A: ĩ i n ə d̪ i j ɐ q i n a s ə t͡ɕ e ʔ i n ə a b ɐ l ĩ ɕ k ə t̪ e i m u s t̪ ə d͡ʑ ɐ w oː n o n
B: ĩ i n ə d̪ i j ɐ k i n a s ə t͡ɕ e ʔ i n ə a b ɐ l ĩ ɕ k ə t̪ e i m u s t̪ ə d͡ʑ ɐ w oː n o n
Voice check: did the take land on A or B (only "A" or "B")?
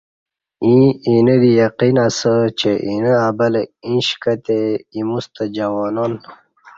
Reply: A